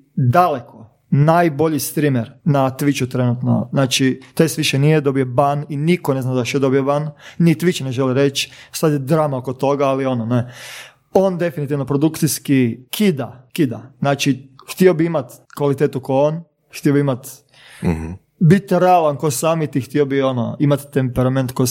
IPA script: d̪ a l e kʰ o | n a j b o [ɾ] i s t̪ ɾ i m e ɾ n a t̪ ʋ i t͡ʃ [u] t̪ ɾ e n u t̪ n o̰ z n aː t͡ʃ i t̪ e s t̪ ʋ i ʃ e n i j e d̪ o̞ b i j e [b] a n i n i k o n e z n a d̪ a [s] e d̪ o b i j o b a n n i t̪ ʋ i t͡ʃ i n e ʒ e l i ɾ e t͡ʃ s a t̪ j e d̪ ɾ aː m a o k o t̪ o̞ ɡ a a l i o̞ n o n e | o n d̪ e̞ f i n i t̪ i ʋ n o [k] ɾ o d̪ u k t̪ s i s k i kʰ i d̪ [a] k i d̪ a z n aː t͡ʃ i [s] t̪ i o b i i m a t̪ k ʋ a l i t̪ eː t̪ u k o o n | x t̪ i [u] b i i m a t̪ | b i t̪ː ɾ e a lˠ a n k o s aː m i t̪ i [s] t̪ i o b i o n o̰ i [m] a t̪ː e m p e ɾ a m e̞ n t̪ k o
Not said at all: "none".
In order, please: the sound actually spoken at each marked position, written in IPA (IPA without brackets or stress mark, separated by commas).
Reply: ʎ, u, b, ʃ, p, a, x, o, x, m